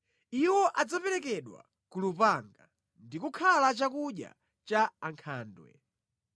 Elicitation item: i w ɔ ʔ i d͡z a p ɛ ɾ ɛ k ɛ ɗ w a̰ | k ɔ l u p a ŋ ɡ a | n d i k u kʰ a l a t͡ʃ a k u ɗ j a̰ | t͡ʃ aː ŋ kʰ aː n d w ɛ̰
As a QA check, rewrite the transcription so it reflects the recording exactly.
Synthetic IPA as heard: i w ɔ ʔ a d͡z a p ɛ ɾ ɛ k ɛ ɗ w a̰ | k u l u p a ŋ ɡ a | n d i k u kʰ a l a t͡ʃ a k u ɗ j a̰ | t͡ʃ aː ŋ kʰ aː n d w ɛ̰